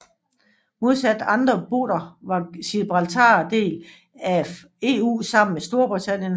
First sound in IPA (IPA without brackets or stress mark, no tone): m